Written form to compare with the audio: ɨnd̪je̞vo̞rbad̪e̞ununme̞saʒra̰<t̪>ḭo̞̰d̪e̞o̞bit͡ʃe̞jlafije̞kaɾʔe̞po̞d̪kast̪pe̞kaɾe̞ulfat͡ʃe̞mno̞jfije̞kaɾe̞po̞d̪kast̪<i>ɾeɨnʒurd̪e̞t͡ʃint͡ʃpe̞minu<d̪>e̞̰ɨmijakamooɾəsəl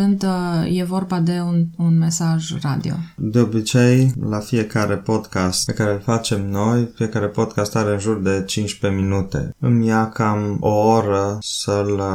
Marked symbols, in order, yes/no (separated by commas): no, no, no